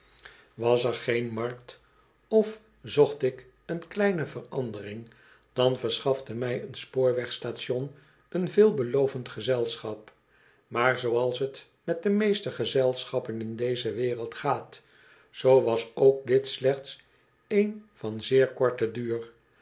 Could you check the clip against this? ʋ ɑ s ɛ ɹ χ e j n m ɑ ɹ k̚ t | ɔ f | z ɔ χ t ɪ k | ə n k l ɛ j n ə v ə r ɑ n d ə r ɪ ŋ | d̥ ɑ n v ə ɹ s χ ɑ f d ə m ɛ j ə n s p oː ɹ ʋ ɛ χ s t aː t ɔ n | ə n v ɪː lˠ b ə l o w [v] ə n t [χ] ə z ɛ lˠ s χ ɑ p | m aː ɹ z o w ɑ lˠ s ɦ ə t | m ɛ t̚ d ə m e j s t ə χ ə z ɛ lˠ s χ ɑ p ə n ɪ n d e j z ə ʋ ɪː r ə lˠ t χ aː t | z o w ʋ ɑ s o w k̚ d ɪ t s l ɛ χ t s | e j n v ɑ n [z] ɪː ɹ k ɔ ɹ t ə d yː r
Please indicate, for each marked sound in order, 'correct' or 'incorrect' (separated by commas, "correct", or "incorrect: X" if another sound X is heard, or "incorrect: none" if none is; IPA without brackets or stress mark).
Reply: correct, correct, correct